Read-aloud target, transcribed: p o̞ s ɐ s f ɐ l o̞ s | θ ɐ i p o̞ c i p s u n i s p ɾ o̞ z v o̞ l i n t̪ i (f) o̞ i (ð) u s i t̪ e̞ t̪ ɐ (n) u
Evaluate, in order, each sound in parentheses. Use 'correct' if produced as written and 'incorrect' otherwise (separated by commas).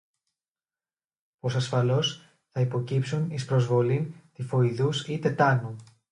correct, correct, correct